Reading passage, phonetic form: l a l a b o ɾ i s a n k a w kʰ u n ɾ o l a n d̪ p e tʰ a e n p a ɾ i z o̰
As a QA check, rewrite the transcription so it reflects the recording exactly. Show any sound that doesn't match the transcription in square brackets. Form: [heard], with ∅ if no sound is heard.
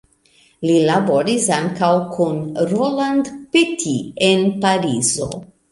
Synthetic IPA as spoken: l [i] l a b o ɾ i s a [ŋ] k a w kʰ u n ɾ o l a n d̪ p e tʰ [i] e n p a ɾ i z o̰

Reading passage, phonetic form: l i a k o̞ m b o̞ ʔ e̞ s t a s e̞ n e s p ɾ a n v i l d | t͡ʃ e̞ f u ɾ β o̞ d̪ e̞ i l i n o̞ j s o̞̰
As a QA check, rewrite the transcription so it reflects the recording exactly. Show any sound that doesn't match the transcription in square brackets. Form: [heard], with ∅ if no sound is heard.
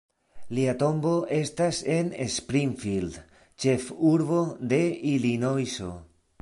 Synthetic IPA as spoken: l i a [t] o̞ m b o̞ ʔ e̞ s t a s e̞ n e s p ɾ [i] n [f] i l d | t͡ʃ e̞ f u ɾ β o̞ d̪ e̞ i l i n o̞ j s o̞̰

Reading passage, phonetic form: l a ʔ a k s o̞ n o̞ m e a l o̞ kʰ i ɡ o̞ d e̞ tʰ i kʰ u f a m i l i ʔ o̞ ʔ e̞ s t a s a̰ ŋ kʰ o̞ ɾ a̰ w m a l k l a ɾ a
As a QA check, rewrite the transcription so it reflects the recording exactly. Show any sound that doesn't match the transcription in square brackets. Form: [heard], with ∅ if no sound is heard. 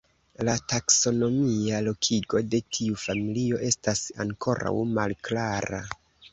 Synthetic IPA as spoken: l a [t] a k s o̞ n o̞ m [i] a l o̞ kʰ i ɡ o̞ d e̞ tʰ i [∅] u f a m i l i [∅] o̞ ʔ e̞ s t a s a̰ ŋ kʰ o̞ ɾ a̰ w m a l k l a ɾ a

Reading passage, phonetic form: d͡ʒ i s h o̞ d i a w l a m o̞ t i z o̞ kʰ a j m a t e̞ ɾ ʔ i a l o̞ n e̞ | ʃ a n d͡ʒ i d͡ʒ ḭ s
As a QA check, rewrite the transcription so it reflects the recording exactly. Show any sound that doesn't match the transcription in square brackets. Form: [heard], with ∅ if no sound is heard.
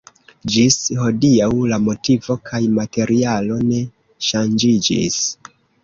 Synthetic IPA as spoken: d͡ʒ i s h o̞ d i a w l a m o̞ t i [v] o̞ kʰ a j m a t e̞ ɾ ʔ i a l o̞ n e̞ | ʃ a n d͡ʒ i d͡ʒ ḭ s

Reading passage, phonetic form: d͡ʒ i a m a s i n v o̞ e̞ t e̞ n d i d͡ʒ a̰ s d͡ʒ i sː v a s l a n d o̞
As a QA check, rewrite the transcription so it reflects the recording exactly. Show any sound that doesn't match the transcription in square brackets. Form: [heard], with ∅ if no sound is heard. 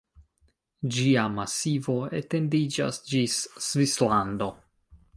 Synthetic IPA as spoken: d͡ʒ i a m a s i [∅] v o̞ e̞ t e̞ n d i d͡ʒ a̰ s d͡ʒ i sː v [i] s l a n d o̞

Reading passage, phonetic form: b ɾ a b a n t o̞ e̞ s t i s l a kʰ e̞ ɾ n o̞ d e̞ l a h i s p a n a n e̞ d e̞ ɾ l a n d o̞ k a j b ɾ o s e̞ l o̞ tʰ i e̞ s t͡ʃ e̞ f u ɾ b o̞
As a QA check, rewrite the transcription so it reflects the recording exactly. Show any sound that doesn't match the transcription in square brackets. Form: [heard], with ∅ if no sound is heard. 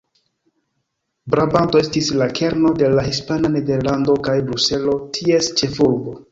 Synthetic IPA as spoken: b ɾ a b a n t o̞ e̞ s t i s l a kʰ e̞ ɾ n o̞ d e̞ l a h i s p a n a n e̞ d e̞ ɾ l a n d o̞ k a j b ɾ [u] s e̞ l o̞ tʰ i e̞ s t͡ʃ e̞ f u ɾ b o̞

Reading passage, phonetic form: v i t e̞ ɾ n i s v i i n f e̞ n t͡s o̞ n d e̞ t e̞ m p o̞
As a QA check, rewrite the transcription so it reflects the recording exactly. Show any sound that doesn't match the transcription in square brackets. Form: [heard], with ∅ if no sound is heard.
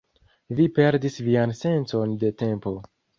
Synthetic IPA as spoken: v i [p] e̞ ɾ [d] i s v i [a] n [s] e̞ n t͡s o̞ n d e̞ t e̞ m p o̞

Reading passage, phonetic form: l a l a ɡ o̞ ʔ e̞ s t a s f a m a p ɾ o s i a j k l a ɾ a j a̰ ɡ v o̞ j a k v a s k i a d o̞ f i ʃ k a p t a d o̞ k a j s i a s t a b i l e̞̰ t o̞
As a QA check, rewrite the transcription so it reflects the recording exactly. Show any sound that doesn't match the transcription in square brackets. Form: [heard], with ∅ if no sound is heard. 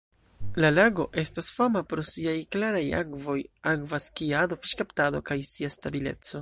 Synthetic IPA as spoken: l a l a ɡ o̞ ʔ e̞ s t a s f a m a p ɾ o s i a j k l a ɾ a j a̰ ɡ v o̞ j a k v a s k i a d o̞ f i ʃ k a p t a d o̞ k a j s i a s t a b i l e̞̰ [t͡s] o̞

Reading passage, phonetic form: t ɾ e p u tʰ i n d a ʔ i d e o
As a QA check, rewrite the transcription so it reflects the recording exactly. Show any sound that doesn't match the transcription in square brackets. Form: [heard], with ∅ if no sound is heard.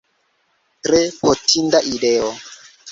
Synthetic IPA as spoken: t ɾ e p [o] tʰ i n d a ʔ i d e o

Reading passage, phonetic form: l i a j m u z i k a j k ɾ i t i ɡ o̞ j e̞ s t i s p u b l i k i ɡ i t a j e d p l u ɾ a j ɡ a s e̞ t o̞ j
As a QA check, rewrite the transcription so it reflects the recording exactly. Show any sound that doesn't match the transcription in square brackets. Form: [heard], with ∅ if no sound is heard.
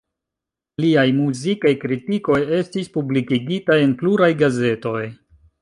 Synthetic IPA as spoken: l i a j m u z i k a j k ɾ i t i [k] o̞ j e̞ s t i s p u b l i k i ɡ i t a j e [n] p l u ɾ a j ɡ a [z] e̞ t o̞ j

